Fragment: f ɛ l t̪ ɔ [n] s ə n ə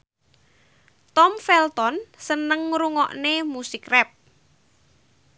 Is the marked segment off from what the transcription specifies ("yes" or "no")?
no